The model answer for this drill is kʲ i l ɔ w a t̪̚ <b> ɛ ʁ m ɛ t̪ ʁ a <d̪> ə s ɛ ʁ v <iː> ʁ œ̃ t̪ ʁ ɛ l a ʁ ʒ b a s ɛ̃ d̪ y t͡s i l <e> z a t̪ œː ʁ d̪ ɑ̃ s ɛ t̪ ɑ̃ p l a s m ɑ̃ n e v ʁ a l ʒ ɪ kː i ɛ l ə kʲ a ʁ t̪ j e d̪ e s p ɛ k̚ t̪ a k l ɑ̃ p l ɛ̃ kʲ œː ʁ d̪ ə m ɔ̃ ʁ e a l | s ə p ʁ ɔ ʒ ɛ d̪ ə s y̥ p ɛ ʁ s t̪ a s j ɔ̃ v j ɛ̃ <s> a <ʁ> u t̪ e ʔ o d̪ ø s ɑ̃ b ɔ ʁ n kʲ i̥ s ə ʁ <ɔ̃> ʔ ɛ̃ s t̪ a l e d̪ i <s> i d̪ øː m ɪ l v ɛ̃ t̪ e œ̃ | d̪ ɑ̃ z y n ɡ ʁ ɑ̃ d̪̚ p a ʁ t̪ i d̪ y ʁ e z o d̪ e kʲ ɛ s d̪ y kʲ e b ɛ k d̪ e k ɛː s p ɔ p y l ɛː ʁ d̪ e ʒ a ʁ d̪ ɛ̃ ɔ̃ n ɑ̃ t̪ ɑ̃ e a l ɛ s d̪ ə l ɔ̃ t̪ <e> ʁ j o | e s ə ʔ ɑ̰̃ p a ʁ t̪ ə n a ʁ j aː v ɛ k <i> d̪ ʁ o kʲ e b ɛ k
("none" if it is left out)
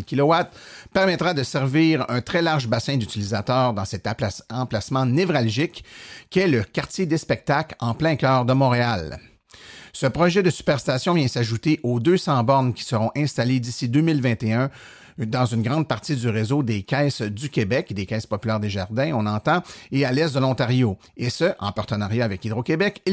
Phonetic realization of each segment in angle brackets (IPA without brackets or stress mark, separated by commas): p, d̪, iː, i, s, ʒ, ɔ̃, s, a, i